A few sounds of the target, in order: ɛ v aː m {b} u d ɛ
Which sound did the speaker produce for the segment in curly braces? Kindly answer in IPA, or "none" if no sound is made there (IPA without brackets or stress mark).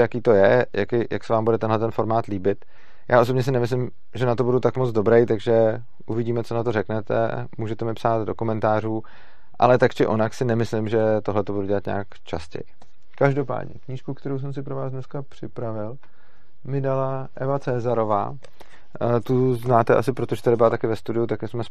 b